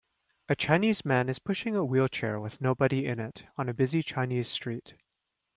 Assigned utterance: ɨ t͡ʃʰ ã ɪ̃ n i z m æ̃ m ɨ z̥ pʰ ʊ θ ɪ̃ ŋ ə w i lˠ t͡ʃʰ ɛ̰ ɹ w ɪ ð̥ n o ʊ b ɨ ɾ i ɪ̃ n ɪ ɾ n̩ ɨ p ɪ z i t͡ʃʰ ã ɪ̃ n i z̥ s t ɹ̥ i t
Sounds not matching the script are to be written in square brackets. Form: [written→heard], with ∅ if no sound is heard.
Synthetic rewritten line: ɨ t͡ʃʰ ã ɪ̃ n i z m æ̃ [m→n] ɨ z̥ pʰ ʊ [θ→ʃ] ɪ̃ ŋ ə w i lˠ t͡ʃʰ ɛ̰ ɹ w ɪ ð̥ n o ʊ b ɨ ɾ i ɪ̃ n ɪ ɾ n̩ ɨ [p→b] ɪ z i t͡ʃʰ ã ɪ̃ n i z̥ s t ɹ̥ i t

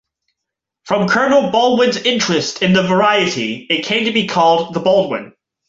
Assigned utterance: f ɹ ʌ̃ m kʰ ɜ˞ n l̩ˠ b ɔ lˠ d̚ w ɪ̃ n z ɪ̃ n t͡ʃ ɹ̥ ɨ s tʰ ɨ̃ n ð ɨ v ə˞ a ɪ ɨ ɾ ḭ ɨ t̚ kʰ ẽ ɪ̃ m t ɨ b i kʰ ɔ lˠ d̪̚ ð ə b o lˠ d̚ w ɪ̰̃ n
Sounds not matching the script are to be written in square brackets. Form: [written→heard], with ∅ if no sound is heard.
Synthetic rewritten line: f ɹ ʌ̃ m kʰ ɜ˞ n l̩ˠ b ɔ lˠ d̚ w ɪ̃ n z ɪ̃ n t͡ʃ ɹ̥ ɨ s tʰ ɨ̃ n ð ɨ v ə˞ a ɪ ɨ ɾ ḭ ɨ t̚ kʰ ẽ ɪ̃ m t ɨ b i kʰ ɔ lˠ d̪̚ ð ə b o lˠ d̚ w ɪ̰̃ n

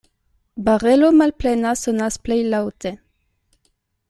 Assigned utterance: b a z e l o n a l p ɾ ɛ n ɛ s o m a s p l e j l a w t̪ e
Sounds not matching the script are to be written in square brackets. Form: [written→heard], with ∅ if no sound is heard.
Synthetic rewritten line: b a [z→ʁ] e l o [n→m] a l p [ɾ→l] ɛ n [ɛ→a] s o [m→n] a s p l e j l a w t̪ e

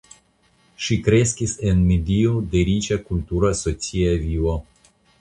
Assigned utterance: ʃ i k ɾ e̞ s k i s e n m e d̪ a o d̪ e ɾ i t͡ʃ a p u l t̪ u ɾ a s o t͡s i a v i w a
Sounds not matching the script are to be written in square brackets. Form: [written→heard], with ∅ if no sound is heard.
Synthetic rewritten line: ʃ i k ɾ e̞ s k i s e n m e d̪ [a→i] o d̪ e ɾ i t͡ʃ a [p→k] u l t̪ u ɾ a s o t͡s i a v i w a

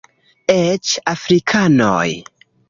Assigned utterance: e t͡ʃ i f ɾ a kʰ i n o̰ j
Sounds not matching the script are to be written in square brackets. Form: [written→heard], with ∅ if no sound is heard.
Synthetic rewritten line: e t͡ʃ [i→a] f ɾ [a→i] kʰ [i→a] n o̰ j

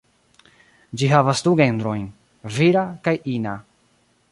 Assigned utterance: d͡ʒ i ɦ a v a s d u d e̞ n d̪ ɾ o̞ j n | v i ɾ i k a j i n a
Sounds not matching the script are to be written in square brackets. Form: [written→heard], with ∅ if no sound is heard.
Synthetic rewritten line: d͡ʒ i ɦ a v a s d u [d→ɡ] e̞ n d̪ ɾ o̞ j n | v i ɾ [i→a] k a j i n a

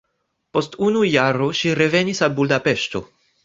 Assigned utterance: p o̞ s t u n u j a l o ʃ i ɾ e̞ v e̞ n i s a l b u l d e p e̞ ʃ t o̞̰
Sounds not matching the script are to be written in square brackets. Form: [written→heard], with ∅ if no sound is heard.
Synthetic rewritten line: p o̞ s t u n u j a [l→ɾ] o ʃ i ɾ e̞ v e̞ n i s a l b u l d [e→a] p e̞ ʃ t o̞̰

